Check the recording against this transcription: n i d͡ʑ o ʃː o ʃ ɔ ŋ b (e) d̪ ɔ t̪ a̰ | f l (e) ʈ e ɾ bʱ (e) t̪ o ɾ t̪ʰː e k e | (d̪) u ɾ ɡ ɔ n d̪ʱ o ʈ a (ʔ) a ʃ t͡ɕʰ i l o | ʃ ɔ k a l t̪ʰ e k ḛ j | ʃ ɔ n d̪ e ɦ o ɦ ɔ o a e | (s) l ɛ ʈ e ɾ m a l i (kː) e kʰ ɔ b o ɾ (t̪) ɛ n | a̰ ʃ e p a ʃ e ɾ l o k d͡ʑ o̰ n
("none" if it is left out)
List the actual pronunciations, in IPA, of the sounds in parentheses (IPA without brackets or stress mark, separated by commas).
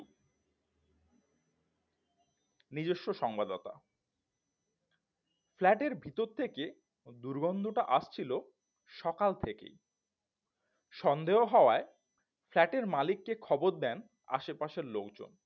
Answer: a, ɛ, i, d̪, ʔ, f, kː, d̪